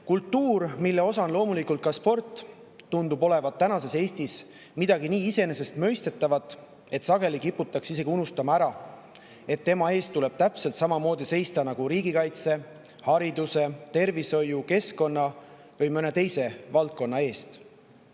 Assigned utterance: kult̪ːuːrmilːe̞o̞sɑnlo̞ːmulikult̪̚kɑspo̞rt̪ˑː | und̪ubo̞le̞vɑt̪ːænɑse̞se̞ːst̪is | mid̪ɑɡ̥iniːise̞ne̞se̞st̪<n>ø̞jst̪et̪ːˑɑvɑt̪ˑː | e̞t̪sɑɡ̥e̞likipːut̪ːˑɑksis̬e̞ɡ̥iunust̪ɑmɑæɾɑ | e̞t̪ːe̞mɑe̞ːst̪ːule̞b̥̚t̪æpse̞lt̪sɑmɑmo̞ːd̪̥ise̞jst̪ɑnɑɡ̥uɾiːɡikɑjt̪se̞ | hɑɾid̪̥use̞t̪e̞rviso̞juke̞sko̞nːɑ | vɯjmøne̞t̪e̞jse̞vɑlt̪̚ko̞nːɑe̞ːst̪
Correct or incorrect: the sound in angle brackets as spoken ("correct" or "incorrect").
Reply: incorrect